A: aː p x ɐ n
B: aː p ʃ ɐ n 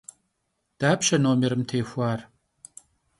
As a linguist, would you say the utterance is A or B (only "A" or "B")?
B